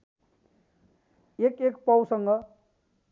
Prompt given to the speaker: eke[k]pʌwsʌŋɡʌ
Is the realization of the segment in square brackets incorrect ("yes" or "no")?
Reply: no